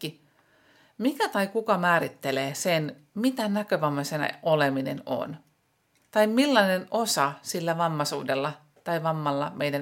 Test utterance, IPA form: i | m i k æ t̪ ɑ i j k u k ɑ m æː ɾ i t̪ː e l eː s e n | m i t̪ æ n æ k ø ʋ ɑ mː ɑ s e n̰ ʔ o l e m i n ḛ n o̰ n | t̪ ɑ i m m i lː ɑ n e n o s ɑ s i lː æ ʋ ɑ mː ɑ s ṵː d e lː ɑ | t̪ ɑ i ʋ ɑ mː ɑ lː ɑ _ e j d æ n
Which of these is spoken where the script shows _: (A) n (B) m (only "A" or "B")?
B